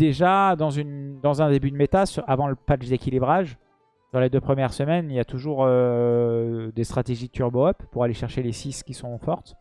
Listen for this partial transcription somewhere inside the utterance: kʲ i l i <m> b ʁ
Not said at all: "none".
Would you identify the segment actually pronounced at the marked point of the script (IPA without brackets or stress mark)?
none